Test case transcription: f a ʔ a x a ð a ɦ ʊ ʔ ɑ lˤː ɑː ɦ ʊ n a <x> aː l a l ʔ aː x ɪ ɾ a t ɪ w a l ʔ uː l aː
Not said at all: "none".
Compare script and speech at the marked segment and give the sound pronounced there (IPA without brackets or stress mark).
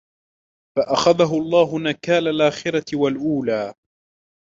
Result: k